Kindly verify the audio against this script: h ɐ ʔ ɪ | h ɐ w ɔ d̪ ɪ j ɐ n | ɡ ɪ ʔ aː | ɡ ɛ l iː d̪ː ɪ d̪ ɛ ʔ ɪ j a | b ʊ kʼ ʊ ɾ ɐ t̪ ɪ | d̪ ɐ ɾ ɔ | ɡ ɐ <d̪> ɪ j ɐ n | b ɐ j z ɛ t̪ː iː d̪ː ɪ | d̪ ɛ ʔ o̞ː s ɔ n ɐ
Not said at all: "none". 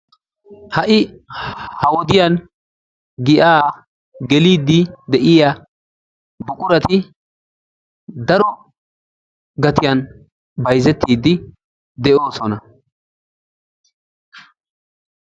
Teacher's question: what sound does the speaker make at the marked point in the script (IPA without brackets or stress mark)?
t̪